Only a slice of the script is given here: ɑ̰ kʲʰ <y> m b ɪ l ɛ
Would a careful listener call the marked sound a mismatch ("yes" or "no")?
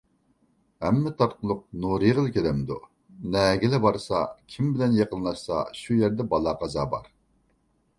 yes